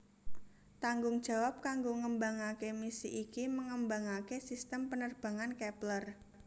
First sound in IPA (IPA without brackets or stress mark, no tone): t̪